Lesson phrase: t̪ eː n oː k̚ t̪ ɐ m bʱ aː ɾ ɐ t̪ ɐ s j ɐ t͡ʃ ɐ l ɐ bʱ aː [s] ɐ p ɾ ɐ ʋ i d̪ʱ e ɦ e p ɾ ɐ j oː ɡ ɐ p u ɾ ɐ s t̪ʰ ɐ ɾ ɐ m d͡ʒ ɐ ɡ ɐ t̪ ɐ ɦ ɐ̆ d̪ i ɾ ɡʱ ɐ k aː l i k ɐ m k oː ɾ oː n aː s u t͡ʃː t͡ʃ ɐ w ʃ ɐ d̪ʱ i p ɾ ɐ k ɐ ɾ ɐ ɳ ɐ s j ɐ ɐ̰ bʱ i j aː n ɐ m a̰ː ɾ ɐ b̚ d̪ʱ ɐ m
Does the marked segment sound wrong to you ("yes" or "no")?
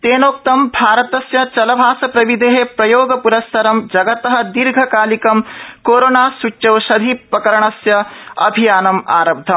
no